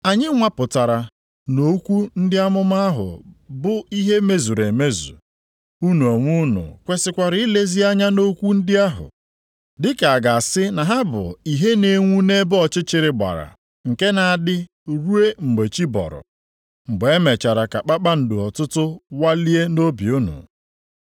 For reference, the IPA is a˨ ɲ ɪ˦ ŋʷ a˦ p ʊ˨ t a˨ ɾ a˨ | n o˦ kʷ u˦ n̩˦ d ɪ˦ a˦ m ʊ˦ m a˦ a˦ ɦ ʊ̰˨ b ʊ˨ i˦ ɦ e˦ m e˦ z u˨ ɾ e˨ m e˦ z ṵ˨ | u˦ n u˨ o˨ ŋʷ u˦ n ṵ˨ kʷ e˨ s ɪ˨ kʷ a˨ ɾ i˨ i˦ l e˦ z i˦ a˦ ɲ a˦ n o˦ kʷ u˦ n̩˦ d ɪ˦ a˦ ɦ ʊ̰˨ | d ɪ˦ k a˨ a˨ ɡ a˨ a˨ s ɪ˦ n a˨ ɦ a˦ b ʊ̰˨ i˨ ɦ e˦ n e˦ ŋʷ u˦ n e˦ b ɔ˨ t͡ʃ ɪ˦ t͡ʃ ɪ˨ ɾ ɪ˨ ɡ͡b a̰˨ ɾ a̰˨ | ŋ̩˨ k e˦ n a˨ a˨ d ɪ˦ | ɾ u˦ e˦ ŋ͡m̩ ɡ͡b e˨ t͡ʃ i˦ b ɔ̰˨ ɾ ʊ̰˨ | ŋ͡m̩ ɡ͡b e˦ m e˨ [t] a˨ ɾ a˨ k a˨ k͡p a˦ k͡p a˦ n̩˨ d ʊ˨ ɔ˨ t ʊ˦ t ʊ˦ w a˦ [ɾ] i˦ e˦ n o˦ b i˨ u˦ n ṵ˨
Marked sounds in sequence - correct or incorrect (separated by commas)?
incorrect, incorrect